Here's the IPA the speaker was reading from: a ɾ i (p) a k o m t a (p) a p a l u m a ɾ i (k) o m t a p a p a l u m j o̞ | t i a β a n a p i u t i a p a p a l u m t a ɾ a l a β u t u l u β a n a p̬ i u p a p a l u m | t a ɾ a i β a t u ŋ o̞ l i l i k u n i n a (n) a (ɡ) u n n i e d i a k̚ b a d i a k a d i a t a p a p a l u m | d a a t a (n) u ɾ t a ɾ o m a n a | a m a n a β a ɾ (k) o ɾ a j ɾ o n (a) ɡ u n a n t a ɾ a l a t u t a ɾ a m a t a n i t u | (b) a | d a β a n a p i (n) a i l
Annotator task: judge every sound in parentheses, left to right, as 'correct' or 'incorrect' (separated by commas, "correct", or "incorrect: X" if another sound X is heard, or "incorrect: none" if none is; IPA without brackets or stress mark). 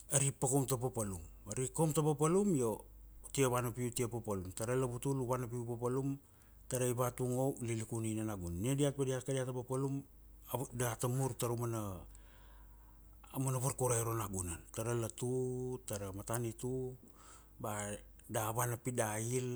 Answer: correct, correct, correct, correct, correct, incorrect: m, correct, correct, correct, incorrect: d